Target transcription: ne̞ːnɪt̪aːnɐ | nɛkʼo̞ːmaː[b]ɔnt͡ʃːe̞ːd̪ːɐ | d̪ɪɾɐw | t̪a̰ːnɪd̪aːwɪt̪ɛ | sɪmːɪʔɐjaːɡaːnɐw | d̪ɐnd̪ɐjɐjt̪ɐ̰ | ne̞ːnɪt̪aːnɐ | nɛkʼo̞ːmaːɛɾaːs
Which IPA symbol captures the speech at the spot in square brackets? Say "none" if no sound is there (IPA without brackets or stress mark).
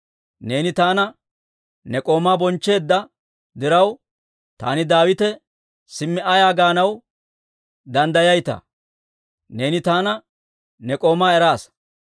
b